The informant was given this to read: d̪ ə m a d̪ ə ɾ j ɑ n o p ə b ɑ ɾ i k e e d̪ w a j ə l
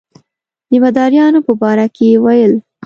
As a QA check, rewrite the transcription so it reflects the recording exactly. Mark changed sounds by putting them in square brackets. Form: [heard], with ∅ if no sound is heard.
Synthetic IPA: d̪ ə m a d̪ [ɑ] ɾ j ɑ n o p ə b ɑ ɾ [a] k e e [∅] w a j ə l